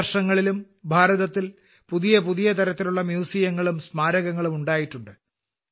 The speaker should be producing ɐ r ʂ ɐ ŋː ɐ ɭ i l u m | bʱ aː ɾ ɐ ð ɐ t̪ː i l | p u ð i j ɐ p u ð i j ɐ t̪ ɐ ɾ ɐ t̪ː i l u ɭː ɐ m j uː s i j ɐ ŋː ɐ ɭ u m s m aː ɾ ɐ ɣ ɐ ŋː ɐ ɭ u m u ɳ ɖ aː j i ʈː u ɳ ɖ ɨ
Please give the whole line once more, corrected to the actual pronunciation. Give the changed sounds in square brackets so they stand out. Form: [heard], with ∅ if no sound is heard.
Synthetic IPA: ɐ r ʂ ɐ ŋː ɐ ɭ i l u m | bʱ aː ɾ ɐ ð ɐ t̪ː i l | p u ð i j ɐ p u ð i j ɐ t̪ ɐ ɾ ɐ t̪ː i l u ɭː ɐ m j uː s i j ɐ ŋː ɐ ɭ u m s m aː ɾ ɐ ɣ ɐ ŋː ɐ ɭ u m u ɳ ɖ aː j i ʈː u ɳ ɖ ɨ